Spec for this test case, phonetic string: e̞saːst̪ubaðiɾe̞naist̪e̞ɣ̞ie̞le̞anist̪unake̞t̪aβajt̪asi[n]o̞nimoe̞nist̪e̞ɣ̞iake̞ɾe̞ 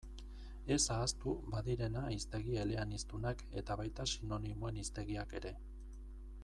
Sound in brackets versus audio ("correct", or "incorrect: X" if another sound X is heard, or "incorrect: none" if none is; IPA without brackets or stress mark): correct